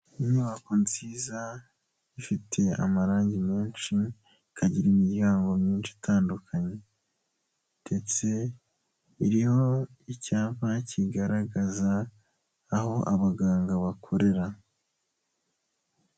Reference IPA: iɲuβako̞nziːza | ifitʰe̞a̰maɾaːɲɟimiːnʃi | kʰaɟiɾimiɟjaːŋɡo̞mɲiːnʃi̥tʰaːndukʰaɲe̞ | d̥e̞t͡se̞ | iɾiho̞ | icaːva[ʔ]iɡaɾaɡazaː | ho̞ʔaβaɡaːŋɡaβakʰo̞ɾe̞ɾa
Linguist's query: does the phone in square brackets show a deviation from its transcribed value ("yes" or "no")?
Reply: yes